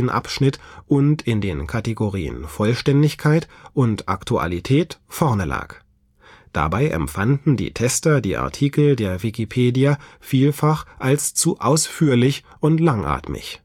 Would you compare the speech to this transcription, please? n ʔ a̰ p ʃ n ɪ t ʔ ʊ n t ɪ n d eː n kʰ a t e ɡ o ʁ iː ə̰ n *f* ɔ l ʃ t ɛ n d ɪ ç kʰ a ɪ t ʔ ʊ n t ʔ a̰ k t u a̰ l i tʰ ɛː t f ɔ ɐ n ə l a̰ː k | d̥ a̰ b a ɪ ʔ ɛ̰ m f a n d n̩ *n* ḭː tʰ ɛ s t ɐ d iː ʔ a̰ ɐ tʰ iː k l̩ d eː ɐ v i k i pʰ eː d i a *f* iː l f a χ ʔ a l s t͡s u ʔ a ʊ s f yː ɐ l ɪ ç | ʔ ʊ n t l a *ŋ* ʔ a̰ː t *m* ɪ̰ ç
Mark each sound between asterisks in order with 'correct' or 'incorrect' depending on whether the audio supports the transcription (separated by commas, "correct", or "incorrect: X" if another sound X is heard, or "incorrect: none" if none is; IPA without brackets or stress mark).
correct, incorrect: d, correct, correct, correct